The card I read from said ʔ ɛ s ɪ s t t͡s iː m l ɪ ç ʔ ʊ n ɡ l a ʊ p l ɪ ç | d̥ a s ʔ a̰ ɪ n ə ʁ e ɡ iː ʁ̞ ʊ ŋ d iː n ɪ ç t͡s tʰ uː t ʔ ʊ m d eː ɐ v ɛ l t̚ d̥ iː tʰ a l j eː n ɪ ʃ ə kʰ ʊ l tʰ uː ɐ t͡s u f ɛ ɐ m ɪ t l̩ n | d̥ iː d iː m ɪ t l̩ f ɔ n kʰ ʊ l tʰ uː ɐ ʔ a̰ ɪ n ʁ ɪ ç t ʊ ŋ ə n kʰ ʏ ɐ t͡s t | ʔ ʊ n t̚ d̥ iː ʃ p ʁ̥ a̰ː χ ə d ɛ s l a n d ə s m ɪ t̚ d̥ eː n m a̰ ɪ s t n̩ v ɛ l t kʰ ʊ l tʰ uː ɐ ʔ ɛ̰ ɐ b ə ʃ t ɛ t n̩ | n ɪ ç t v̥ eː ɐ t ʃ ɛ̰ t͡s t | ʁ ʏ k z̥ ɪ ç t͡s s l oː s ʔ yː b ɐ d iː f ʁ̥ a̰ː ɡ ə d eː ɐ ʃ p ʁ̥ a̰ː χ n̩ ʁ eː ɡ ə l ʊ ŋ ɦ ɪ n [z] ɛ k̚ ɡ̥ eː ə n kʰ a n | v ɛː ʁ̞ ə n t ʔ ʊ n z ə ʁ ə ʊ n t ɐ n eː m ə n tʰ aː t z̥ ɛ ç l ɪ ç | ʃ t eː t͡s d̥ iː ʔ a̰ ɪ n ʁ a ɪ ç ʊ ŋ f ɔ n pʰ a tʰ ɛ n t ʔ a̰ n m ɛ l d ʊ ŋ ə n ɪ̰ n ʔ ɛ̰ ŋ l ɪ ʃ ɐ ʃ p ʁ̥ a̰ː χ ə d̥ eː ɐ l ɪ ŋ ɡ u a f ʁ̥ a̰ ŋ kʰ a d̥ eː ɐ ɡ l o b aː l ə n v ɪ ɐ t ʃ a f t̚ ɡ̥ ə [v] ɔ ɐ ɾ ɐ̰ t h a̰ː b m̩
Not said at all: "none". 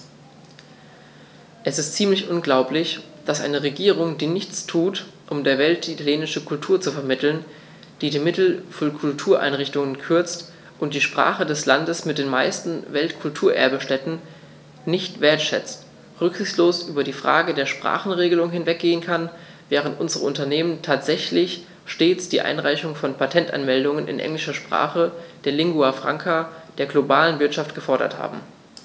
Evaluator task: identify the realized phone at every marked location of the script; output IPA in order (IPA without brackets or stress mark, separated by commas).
v, f